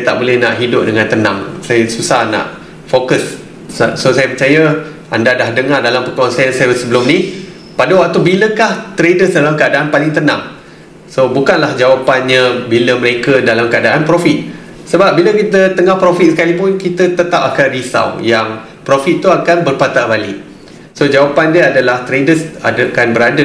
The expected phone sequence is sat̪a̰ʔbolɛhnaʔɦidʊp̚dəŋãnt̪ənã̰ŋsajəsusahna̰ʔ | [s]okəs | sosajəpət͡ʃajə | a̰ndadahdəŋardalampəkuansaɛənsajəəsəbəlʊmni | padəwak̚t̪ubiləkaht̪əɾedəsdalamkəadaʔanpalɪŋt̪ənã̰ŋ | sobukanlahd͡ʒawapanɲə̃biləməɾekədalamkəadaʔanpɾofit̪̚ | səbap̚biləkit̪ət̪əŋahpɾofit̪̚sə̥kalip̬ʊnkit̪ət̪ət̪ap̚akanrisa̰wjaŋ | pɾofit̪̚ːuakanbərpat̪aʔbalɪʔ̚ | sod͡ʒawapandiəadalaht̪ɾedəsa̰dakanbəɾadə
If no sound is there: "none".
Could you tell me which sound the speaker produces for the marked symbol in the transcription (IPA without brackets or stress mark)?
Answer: f